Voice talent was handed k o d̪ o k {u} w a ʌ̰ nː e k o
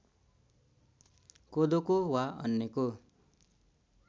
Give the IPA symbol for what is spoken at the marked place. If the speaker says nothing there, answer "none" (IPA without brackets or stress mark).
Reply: o